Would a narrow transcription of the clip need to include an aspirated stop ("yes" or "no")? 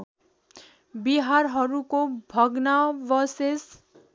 no